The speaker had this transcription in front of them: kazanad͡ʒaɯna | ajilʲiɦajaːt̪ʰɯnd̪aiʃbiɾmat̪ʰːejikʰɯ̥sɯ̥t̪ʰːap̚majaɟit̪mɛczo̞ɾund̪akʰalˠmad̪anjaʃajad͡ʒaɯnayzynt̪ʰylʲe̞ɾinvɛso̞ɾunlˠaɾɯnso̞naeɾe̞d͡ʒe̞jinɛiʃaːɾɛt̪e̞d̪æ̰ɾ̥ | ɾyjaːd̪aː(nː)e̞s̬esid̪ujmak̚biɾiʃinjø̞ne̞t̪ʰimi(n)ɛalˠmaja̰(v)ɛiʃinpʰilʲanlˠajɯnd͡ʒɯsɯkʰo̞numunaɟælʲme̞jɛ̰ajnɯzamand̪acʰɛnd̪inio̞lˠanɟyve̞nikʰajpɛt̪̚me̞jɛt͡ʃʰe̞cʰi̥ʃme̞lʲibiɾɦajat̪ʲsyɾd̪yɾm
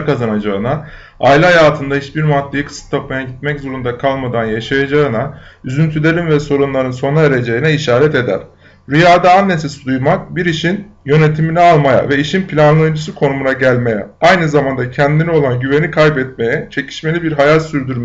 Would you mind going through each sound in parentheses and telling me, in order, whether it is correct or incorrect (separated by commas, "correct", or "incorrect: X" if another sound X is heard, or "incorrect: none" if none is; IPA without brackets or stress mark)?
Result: correct, correct, correct